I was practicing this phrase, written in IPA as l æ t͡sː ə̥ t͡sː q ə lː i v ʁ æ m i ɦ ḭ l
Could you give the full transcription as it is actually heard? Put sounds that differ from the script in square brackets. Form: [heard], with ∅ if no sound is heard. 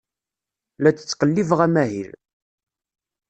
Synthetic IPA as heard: l æ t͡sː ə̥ t͡sː q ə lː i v ʁ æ m [æ] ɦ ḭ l